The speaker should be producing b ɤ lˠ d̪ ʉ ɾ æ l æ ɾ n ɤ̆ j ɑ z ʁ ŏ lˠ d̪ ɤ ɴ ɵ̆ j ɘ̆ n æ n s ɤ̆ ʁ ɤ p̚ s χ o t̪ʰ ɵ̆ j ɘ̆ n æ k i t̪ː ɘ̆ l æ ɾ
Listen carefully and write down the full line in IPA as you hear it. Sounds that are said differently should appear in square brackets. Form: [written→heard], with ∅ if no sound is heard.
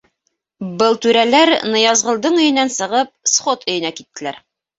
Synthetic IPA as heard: b ɤ lˠ [d̪→t̪] ʉ ɾ æ l æ ɾ n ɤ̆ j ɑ z ʁ [ŏ→ɤ̆] lˠ d̪ ɤ ɴ ɵ̆ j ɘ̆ n æ n s ɤ̆ ʁ ɤ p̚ s χ o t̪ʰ ɵ̆ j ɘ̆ n æ k i t̪ː ɘ̆ l æ ɾ

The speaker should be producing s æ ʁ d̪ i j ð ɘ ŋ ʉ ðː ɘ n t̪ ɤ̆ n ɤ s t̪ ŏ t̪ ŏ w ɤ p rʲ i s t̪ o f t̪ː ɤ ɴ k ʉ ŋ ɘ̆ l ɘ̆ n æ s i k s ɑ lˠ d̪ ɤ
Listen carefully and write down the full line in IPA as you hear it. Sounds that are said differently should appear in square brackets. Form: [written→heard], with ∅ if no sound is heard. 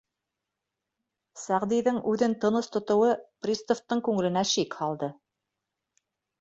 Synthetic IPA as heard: s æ ʁ d̪ i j ð ɘ ŋ ʉ [ðː→ð] ɘ n t̪ ɤ̆ n ɤ s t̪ ŏ t̪ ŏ w ɤ p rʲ i s t̪ o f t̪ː ɤ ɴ k ʉ ŋ ɘ̆ l ɘ̆ n æ [s→ʃ] i k [s→h] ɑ lˠ d̪ ɤ

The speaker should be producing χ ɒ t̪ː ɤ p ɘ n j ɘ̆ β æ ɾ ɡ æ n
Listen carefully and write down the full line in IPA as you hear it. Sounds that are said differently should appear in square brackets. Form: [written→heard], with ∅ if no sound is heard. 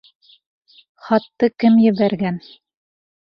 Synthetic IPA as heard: χ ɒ t̪ː ɤ [p→k] ɘ [n→m] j ɘ̆ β æ ɾ ɡ æ n

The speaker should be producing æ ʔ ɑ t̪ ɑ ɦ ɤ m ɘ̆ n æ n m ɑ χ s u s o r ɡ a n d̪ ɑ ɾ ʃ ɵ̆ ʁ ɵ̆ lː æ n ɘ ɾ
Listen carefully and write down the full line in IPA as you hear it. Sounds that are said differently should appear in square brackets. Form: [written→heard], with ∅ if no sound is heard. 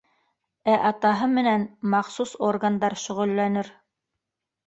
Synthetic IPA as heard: æ ʔ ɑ t̪ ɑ ɦ ɤ m ɘ̆ n æ n m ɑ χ s u s o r ɡ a n d̪ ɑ ɾ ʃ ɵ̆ ʁ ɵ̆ lː æ n ɘ ɾ

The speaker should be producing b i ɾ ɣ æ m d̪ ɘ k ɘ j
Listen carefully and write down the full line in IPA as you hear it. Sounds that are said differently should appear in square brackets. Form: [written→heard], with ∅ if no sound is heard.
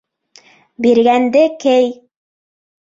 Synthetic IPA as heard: b i ɾ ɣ æ [m→n] d̪ ɘ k ɘ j

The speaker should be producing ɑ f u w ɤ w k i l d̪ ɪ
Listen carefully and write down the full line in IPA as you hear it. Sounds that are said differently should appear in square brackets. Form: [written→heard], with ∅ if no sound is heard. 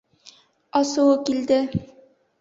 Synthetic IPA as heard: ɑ [f→s] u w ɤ [w→∅] k i l d̪ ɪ

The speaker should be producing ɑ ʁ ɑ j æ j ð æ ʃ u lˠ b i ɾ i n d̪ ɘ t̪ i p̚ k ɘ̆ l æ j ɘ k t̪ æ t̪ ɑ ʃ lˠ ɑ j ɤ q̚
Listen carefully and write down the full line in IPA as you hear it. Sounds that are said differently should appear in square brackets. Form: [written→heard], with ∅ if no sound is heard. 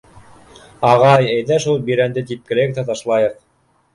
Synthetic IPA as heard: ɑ ʁ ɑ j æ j ð æ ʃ u lˠ b i ɾ [i→æ] n d̪ ɘ t̪ i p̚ k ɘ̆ l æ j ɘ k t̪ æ t̪ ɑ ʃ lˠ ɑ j ɤ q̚

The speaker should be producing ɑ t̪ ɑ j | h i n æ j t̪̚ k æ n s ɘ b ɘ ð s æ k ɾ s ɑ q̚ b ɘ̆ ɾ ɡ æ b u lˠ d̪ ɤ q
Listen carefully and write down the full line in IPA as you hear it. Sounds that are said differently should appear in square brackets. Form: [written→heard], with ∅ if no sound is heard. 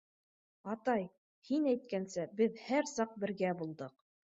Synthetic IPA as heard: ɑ t̪ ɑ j | h i n æ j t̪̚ k æ n s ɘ b ɘ ð [s→h] æ [k→∅] ɾ s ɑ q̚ b ɘ̆ ɾ ɡ æ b u lˠ d̪ ɤ q

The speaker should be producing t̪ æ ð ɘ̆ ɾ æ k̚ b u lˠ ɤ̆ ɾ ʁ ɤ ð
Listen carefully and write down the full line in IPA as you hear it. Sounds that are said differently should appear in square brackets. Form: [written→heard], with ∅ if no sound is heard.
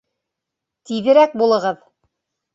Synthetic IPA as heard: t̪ [æ→i] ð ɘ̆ ɾ æ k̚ b u lˠ ɤ̆ [ɾ→∅] ʁ ɤ ð

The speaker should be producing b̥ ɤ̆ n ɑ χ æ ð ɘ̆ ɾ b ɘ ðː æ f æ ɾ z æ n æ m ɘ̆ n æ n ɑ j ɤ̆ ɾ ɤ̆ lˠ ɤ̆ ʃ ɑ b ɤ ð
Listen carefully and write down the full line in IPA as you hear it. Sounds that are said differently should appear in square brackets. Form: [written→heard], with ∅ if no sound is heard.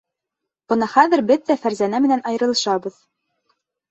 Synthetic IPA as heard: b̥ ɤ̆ n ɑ χ æ ð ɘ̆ ɾ b ɘ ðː æ f æ ɾ z æ n æ m ɘ̆ n æ n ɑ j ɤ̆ ɾ ɤ̆ lˠ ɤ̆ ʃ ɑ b ɤ ð

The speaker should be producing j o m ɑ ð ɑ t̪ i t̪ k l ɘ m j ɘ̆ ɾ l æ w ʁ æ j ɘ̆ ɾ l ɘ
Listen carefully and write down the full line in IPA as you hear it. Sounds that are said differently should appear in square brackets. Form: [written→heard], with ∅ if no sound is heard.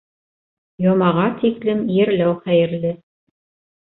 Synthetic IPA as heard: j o m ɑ [ð→ʁ] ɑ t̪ i [t̪→∅] k l ɘ m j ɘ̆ ɾ l æ w [ʁ→χ] æ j ɘ̆ ɾ l ɘ

